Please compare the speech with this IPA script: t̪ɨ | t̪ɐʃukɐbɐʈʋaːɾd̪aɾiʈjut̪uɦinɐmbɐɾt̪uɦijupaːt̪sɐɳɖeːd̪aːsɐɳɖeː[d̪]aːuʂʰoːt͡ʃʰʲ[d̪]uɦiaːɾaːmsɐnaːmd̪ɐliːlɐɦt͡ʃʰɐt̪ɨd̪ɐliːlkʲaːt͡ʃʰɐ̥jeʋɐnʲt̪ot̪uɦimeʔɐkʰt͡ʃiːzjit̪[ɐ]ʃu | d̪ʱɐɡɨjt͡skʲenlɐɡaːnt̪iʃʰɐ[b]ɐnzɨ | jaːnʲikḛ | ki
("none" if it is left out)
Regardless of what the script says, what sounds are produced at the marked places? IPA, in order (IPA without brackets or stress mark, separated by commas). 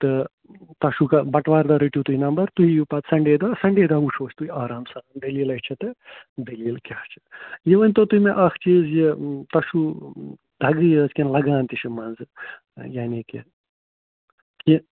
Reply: d̪, t̪, ɐ, m